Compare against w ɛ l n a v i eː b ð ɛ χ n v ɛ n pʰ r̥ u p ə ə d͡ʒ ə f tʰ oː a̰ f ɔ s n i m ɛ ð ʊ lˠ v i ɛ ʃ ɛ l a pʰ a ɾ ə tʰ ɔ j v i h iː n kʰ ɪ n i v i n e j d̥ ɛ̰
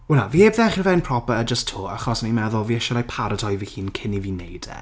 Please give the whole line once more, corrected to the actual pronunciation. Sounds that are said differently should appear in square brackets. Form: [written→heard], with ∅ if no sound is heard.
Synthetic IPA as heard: w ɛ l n a v i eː b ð ɛ χ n v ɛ n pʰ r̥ [u→ɔ] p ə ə d͡ʒ ə [f→s] tʰ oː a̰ [f→χ] ɔ s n i m ɛ ð ʊ lˠ v i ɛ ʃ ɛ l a pʰ a ɾ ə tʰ ɔ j v i h iː n kʰ ɪ n i v i n e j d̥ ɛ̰